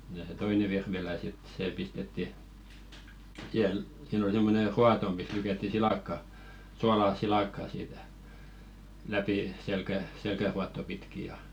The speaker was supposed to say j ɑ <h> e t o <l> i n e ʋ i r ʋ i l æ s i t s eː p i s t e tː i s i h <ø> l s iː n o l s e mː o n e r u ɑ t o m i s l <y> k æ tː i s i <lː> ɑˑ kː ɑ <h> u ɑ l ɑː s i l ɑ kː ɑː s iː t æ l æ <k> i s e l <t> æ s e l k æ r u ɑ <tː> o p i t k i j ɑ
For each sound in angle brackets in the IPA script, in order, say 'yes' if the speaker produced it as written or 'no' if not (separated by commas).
no, no, no, yes, no, no, no, no, yes